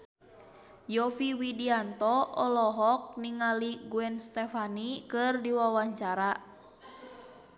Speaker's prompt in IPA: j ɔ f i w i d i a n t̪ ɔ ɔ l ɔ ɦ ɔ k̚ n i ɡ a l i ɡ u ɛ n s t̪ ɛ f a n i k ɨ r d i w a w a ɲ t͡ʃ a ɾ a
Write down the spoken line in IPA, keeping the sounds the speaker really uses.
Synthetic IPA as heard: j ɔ f i w i d i a n t̪ ɔ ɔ l ɔ ɦ ɔ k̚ n i ŋ a l i ɡ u ɛ n s t̪ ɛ f a n i k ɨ r d i w a w a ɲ t͡ʃ a ɾ a

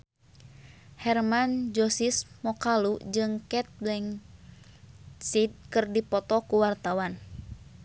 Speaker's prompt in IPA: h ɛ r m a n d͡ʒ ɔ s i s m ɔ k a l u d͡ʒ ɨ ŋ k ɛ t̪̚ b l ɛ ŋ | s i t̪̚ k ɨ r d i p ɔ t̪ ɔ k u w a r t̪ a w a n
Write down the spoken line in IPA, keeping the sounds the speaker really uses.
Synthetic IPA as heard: h ɛ r m a n d͡ʒ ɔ s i s m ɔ k a l u d͡ʒ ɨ ŋ k ɛ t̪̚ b l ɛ ŋ | s i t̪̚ k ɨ r d i p ɔ t̪ ɔ k u w a r t̪ a w a n

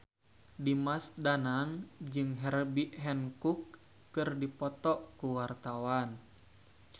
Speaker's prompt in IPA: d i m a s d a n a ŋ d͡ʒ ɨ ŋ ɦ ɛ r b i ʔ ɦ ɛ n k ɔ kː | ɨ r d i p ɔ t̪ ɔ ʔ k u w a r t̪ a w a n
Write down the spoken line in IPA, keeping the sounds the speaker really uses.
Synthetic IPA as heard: d i m a s d a n a ŋ d͡ʒ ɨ ŋ ɦ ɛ r b i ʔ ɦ ɛ n k u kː | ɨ r d i p ɔ t̪ ɔ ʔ k u w a r t̪ a w a n

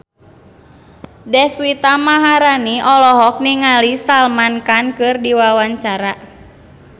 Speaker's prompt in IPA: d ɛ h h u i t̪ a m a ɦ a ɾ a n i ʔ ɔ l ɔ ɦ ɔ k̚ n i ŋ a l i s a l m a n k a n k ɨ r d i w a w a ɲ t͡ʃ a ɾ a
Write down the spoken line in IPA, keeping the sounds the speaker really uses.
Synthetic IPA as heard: d ɛ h s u i t̪ a m a ɦ a ɾ a n i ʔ ɔ l ɔ ɦ ɔ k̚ n i ŋ a l i s a l m a n k a n k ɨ r d i w a w a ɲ t͡ʃ a ɾ a

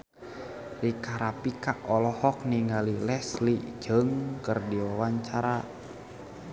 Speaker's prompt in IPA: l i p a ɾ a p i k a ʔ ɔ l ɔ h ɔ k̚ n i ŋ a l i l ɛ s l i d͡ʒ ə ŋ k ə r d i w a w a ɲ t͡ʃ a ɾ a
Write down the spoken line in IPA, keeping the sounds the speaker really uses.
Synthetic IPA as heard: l i k a ɾ a p i k a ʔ ɔ l ɔ h ɔ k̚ n i ŋ a l i l ɛ s l i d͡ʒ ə ŋ k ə r d i w a w a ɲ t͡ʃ a ɾ a

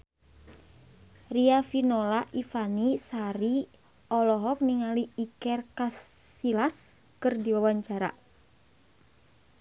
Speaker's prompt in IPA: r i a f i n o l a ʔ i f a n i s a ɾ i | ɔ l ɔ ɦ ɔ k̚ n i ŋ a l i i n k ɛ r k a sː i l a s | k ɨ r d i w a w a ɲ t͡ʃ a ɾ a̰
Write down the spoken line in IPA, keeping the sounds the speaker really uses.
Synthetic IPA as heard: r i a f i n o l a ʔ i f a n i s a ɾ i | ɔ l ɔ ɦ ɔ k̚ n i ŋ a l i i k ɛ r k a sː i l a s | k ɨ r d i w a w a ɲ t͡ʃ a ɾ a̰

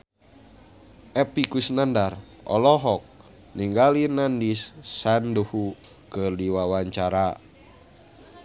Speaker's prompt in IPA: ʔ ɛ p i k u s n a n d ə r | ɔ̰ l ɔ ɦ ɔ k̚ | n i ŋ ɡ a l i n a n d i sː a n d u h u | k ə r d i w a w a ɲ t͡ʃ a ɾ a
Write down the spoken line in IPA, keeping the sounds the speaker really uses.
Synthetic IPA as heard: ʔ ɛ p i k u s n a n d a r | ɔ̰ l ɔ ɦ ɔ k̚ | n i ŋ ɡ a l i n a n d i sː a n d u h u | k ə r d i w a w a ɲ t͡ʃ a ɾ a

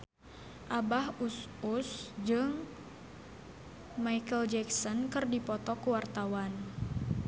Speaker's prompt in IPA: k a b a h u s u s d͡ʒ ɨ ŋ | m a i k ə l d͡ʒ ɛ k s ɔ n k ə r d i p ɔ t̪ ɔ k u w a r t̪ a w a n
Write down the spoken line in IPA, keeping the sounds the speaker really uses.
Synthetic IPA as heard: ʔ a b a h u s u s d͡ʒ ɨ ŋ | m a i k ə l d͡ʒ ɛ k s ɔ n k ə r d i p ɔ t̪ ɔ k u w a r t̪ a w a n

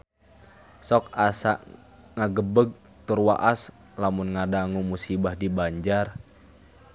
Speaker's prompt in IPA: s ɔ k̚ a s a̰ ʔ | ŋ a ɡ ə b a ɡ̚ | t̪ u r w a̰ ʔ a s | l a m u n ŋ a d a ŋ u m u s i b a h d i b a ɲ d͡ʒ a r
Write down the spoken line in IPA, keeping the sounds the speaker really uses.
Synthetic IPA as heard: s ɔ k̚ a s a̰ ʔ | ŋ a ɡ ə b ə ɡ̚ | t̪ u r w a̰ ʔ a s | l a m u n ŋ a d a ŋ u m u s i b a h d i b a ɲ d͡ʒ a r

